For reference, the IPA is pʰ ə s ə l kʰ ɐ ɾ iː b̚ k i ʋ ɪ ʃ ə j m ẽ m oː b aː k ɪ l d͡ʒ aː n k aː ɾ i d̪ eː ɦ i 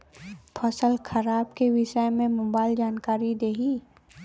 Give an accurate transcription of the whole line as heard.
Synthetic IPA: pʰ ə s ə l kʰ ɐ ɾ aː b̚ k e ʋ ɪ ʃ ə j m ẽ m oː b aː ɪ l d͡ʒ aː n k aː ɾ i d̪ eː ɦ i